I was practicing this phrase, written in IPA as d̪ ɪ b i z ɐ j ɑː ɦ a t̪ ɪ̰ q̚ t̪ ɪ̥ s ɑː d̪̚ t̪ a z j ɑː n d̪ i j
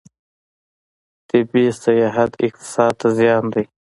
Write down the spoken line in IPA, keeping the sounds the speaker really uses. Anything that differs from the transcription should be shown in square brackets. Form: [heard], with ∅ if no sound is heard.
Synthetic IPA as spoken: [t̪] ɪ b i [s] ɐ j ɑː ɦ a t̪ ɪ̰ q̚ t̪ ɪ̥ s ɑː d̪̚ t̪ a z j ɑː n d̪ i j

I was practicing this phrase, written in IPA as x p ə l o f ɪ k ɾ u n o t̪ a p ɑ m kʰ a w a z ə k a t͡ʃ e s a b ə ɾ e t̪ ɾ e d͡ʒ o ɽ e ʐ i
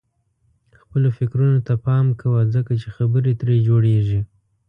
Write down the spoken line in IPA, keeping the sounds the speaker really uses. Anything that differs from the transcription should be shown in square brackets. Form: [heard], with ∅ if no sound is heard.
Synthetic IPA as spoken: x p ə l o f ɪ k ɾ u n o t̪ a p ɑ m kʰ a w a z ə k a t͡ʃ e [x] a b ə ɾ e t̪ ɾ e d͡ʒ o ɽ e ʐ i

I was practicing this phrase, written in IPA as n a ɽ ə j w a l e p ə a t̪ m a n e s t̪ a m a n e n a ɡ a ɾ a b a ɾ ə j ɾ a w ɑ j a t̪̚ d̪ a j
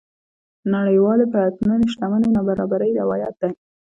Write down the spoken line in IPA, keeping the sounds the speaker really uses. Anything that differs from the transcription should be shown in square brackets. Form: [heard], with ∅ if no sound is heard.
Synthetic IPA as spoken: n a ɽ ə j w [ɑ] l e p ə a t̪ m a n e [ʃ] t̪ a m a n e n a [b] a ɾ [ɑ] b a ɾ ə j ɾ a w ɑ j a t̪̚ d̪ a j

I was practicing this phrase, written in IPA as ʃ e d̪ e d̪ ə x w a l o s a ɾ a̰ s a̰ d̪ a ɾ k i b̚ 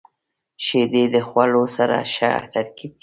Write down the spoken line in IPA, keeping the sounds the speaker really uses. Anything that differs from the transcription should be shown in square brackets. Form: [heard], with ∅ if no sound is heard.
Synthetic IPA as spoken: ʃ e d̪ e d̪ ə x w a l o s a ɾ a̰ [ʃ] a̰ [t̪] a ɾ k i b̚

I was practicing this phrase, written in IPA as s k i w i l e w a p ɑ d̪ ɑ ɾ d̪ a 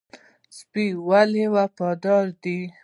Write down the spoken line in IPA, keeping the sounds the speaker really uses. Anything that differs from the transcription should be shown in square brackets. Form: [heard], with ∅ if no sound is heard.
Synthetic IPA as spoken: s [p] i w [a] l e w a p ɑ d̪ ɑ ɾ d̪ [i]

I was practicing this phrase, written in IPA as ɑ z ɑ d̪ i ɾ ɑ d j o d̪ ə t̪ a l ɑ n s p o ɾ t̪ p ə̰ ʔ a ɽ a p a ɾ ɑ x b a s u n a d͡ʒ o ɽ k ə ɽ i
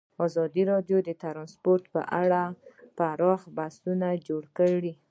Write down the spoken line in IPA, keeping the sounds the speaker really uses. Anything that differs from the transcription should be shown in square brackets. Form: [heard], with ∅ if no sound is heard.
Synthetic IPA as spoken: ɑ z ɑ d̪ i ɾ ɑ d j o d̪ ə t̪ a [ɾ] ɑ n s p o ɾ t̪ p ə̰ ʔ a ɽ a p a ɾ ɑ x b a s u n a d͡ʒ o ɽ k ə ɽ i

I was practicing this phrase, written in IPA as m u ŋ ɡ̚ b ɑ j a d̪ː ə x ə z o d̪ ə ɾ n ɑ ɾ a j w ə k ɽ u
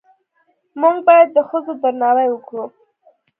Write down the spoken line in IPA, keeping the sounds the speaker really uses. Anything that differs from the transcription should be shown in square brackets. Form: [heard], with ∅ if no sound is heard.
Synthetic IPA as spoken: m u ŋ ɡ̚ b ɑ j a d̪ː ə x ə z o d̪ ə ɾ n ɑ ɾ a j w ə k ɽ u

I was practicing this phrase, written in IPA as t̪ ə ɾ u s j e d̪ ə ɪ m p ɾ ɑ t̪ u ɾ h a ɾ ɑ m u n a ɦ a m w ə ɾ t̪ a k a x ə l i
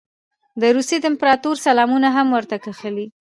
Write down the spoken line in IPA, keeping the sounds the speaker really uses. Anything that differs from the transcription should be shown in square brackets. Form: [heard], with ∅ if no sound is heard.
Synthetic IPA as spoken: [d̪] ə ɾ u s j e d̪ ə ɪ m p ɾ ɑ t̪ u ɾ [s] a [l] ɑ m u n a ɦ a m w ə ɾ t̪ a k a x ə l i

